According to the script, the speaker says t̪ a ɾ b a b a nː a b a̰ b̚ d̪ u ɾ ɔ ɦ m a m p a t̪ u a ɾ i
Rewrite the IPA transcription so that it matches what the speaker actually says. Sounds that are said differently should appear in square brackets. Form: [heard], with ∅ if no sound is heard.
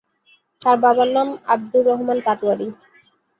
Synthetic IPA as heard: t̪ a ɾ b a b a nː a [m] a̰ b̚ d̪ u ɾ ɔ ɦ m a [n] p a t̪ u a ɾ i